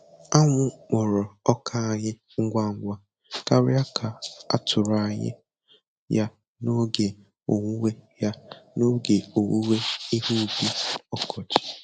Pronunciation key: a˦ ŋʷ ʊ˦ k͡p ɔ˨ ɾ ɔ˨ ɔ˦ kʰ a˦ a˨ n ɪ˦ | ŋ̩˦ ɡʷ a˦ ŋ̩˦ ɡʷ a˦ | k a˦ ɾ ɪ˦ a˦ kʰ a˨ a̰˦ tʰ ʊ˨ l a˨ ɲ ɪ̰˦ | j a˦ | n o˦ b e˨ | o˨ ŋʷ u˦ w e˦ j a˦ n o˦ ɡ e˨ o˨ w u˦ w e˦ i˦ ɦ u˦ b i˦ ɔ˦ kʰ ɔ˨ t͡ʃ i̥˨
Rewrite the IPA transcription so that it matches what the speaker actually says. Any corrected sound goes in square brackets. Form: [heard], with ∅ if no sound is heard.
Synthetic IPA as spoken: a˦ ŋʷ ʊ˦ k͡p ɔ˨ ɾ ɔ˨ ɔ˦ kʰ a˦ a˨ [ɲ] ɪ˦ | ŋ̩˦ ɡʷ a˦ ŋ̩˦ ɡʷ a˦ | k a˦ ɾ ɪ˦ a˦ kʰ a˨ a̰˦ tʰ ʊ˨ [ɾ] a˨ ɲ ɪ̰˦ | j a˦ | n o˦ [ɡ] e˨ | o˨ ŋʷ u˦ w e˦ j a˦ n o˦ ɡ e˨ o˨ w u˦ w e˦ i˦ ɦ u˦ b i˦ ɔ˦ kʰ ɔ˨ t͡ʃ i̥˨